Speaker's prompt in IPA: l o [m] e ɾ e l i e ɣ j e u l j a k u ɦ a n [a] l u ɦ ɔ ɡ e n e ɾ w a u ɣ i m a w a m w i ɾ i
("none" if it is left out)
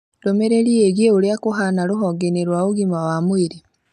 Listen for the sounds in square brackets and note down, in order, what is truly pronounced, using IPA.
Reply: m, a

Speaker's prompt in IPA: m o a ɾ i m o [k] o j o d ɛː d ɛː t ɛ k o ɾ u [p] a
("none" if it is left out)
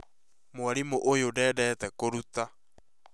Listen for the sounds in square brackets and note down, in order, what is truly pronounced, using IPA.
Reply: ʔ, t

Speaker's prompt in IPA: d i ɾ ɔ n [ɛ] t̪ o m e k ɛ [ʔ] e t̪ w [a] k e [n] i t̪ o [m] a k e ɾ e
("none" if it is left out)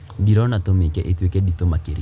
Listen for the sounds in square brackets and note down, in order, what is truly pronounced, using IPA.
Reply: a, ʔ, e, d, m

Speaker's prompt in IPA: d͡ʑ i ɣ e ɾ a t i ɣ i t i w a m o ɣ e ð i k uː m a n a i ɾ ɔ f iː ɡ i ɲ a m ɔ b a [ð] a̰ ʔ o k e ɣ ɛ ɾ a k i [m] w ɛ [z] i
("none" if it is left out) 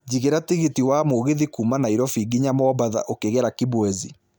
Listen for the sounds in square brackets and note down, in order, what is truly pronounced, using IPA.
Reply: ð, b, z

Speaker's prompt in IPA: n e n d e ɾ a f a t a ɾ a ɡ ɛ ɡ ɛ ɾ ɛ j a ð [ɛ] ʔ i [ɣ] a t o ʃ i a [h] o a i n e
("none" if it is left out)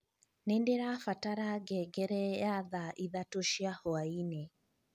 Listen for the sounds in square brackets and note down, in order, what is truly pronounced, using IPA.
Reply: a, ð, h

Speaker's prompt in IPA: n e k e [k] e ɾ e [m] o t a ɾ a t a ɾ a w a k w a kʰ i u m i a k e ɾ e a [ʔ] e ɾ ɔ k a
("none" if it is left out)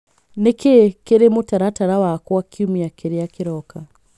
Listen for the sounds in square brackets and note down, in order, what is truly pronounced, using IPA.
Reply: k, m, k

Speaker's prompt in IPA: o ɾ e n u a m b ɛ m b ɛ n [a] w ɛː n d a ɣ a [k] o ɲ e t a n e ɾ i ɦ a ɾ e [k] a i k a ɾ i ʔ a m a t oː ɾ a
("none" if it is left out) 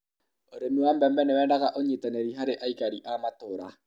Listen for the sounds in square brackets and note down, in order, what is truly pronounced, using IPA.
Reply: e, ʔ, ʔ

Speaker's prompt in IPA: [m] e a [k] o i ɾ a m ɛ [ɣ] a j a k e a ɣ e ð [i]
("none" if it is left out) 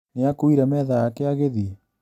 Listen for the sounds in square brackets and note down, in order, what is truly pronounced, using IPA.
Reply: n, k, ð, i

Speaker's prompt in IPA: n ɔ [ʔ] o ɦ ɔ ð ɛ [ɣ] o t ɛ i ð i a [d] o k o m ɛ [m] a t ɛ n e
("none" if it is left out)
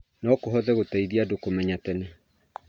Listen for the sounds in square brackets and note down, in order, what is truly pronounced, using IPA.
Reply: k, ɣ, d, ɲ

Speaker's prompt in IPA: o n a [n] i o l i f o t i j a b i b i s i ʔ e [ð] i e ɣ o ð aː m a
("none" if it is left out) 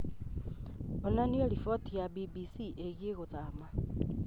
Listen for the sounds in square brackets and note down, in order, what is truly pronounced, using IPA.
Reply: n, ɣ

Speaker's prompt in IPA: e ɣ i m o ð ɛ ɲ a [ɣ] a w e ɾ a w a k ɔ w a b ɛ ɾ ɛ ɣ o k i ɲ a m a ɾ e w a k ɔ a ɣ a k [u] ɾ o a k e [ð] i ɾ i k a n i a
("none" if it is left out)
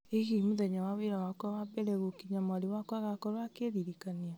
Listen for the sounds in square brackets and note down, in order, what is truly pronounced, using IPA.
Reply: w, ɔ, ð

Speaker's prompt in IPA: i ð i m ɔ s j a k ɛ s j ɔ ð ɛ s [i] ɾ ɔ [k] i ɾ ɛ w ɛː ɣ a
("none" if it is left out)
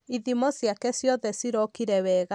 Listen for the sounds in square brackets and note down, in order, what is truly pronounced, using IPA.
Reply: i, k

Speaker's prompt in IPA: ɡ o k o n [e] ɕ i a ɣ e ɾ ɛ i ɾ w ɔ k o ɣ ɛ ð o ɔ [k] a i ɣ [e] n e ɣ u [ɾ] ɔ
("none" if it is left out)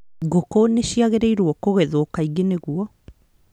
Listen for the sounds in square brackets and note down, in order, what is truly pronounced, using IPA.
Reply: e, k, e, none

